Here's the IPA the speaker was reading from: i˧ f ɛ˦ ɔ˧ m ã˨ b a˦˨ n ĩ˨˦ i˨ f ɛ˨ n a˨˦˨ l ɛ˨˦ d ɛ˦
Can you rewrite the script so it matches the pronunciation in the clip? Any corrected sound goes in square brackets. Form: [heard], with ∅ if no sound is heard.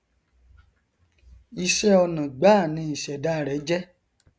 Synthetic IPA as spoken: i˧ [ʃ] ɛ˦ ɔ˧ [n] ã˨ [ɡ͡b] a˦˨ n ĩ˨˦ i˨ [ʃ] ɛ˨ [d] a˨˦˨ [ɾ] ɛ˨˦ [d͡ʒ] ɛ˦